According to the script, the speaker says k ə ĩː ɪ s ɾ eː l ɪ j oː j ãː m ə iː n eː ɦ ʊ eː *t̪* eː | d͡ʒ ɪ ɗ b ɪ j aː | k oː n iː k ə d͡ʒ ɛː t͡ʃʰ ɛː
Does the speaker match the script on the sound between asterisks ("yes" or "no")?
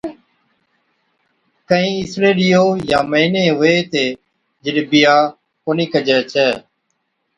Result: yes